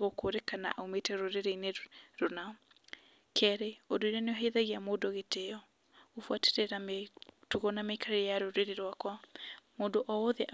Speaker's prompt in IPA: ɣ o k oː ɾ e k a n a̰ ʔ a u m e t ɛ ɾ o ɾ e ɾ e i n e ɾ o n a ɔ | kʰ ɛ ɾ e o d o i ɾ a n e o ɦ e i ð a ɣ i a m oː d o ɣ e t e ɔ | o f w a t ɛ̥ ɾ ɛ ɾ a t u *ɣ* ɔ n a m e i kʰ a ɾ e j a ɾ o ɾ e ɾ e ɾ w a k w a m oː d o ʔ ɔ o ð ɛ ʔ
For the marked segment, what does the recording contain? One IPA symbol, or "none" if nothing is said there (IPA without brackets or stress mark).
ɣ